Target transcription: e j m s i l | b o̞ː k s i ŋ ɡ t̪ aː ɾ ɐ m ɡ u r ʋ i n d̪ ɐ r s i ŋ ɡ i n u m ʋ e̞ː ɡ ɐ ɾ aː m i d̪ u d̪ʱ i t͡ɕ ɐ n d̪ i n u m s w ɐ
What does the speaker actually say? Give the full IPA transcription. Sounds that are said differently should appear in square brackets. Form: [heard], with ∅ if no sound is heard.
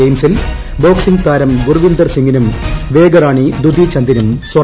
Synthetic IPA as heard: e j m s i l | b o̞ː k s i ŋ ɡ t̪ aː ɾ ɐ m ɡ u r ʋ i n d̪ ɐ r s i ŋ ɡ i n u m ʋ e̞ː ɡ ɐ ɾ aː [ɳ] i d̪ u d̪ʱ i t͡ɕ ɐ n d̪ i n u m s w ɐ